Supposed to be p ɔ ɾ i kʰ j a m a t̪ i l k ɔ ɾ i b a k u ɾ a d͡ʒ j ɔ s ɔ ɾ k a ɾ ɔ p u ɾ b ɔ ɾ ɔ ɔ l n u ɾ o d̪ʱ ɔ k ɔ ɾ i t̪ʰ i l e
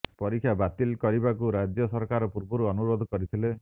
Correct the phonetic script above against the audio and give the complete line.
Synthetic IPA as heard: p ɔ ɾ i kʰ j a b a t̪ i l k ɔ ɾ i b a k u ɾ a d͡ʒ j ɔ s ɔ ɾ k a ɾ ɔ p u ɾ b ɔ ɾ u ɔ n u ɾ o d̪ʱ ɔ k ɔ ɾ i t̪ʰ i l e